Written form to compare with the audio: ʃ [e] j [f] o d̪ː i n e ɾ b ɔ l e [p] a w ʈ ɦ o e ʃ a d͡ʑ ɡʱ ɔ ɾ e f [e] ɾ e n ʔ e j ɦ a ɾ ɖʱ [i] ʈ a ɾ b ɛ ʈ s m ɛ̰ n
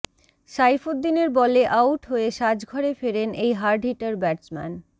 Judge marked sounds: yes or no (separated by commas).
no, yes, no, yes, yes